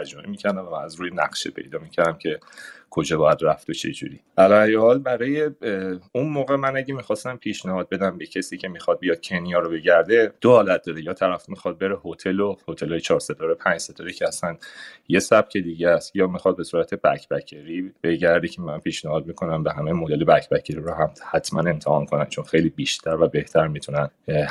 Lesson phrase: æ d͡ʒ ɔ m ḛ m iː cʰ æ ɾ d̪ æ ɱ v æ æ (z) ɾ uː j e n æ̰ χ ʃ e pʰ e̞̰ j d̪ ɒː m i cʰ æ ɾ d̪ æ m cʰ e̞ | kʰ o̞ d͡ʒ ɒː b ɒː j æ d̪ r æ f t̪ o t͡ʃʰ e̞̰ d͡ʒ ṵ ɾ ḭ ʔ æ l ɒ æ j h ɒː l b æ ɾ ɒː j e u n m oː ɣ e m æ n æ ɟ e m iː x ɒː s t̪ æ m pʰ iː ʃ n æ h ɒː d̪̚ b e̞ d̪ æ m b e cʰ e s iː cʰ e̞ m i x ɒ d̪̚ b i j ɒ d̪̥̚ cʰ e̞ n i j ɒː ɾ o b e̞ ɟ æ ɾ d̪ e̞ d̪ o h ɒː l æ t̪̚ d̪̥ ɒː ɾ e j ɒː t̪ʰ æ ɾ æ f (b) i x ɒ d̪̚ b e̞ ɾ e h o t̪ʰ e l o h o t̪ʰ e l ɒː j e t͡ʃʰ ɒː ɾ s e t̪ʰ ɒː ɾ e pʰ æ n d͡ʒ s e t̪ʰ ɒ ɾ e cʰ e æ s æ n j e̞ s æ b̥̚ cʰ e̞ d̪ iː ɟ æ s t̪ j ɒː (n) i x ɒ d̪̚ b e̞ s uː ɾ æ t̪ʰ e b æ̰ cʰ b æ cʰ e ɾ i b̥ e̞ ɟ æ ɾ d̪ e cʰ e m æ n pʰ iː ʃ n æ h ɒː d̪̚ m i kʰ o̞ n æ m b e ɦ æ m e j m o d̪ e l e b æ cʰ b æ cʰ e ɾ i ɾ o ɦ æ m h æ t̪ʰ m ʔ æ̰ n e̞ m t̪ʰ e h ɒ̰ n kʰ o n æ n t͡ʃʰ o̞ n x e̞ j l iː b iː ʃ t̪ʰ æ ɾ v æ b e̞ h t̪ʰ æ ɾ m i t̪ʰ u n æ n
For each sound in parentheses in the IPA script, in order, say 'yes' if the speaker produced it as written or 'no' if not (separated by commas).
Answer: yes, no, no